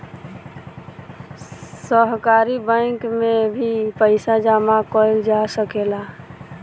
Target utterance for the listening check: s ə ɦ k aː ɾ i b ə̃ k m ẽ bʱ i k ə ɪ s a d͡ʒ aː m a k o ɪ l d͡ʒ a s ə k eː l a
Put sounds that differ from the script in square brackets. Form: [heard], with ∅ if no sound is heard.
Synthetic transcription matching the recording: s ə ɦ k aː ɾ i b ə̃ k m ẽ bʱ i [p] ə ɪ s a d͡ʒ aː m a k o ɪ l d͡ʒ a s ə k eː l a

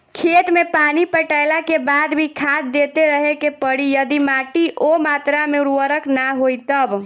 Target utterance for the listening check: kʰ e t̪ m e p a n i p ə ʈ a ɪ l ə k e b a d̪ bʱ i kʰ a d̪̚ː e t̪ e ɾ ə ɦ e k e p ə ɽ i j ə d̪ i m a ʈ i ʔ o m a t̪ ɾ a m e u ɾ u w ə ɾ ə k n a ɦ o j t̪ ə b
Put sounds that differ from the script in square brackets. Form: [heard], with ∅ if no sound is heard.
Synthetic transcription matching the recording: kʰ e t̪ m e p a n i p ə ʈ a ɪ l [a] k e b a d̪ bʱ i kʰ a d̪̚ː e t̪ e ɾ ə ɦ e k e p ə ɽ i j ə d̪ i m a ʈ i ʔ o m a t̪ ɾ a m e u ɾ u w ə ɾ ə k n a ɦ o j t̪ ə b

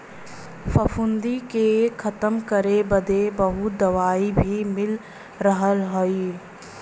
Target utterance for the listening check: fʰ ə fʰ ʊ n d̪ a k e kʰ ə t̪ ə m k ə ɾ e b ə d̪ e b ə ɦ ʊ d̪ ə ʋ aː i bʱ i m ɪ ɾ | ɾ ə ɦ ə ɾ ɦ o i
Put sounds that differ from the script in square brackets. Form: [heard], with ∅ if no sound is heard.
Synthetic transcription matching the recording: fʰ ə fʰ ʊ n d̪ [i] k e kʰ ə t̪ ə m k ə ɾ e b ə d̪ e b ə ɦ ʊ d̪ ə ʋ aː i bʱ i m ɪ [l] | ɾ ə ɦ ə [l] ɦ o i

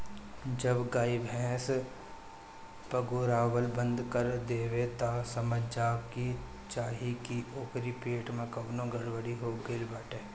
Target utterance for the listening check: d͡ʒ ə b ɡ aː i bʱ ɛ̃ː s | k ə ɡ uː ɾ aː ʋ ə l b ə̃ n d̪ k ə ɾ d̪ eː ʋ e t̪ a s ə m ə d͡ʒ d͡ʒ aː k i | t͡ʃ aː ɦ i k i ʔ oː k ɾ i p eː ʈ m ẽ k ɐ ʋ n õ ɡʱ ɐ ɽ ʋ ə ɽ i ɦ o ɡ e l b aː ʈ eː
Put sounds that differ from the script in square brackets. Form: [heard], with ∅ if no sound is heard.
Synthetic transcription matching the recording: d͡ʒ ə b ɡ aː i bʱ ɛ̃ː s | [p] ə ɡ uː ɾ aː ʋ ə l b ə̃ n d̪ k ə ɾ d̪ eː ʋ e t̪ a s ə m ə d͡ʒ d͡ʒ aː k i | t͡ʃ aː ɦ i k i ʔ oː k ɾ i p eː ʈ m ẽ k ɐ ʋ n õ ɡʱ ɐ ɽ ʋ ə ɽ i ɦ o ɡ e l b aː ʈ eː

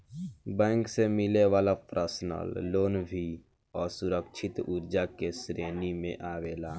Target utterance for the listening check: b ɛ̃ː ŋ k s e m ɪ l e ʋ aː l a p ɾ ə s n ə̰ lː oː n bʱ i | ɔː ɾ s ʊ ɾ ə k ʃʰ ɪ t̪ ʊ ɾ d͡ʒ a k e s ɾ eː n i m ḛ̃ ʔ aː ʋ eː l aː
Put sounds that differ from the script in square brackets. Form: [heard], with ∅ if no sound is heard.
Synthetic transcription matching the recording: b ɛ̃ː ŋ k s e m ɪ l e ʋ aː l a p ɾ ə s n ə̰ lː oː n bʱ i | ɔː ɾ s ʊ ɾ ə k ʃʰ ɪ t̪ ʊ ɾ d͡ʒ a k e s ɾ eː n i m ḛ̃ ʔ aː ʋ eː l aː

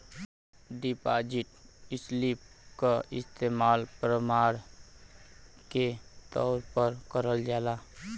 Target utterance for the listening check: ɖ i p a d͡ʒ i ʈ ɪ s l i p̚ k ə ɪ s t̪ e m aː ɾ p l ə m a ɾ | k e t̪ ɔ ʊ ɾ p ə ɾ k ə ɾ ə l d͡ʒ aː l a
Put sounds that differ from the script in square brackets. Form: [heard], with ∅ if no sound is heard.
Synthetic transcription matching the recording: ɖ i p a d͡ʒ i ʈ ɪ s l i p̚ k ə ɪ s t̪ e m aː [l] p [ɾ] ə m a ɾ | k e t̪ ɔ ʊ ɾ p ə ɾ k ə ɾ ə l d͡ʒ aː l a

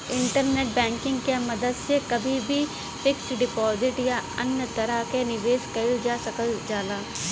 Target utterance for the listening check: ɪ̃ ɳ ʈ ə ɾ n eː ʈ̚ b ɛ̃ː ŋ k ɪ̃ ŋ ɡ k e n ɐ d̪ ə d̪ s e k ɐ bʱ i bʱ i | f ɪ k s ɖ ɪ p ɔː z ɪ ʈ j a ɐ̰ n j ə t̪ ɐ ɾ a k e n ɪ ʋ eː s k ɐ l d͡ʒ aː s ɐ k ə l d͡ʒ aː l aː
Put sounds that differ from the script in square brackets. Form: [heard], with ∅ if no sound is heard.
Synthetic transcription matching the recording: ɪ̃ ɳ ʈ ə ɾ n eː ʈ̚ b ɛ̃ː ŋ k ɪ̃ ŋ ɡ k e [m] ɐ d̪ ə d̪ s e k ɐ bʱ i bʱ i | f ɪ k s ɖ ɪ p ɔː z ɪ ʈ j a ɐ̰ n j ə t̪ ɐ ɾ a k e n ɪ ʋ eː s k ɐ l d͡ʒ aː s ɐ k ə l d͡ʒ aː l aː

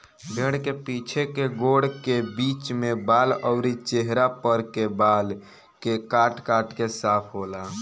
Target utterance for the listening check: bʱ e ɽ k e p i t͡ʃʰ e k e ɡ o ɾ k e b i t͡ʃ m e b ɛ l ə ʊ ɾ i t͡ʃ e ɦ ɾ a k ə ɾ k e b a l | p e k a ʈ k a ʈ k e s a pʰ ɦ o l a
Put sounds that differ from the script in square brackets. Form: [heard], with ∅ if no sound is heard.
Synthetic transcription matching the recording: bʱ e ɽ k e p i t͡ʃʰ e k e ɡ o [ɽ] k e b i t͡ʃ m e b [a] l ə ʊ ɾ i t͡ʃ e ɦ ɾ a [p] ə ɾ k e b a l | [k] e k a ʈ k a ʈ k e s a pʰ ɦ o l a

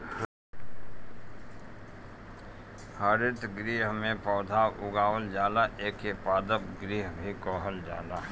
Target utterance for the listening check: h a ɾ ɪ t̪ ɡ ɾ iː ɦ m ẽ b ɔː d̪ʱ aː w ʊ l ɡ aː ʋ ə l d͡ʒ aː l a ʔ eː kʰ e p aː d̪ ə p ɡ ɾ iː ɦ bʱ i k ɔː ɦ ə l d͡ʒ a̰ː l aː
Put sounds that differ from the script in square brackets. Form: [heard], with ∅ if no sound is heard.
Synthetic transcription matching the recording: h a ɾ ɪ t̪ ɡ ɾ iː ɦ m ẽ [p] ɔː d̪ʱ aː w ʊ [∅] ɡ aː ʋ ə l d͡ʒ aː l a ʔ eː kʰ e p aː d̪ ə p ɡ ɾ iː ɦ bʱ i k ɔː ɦ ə l d͡ʒ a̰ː l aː

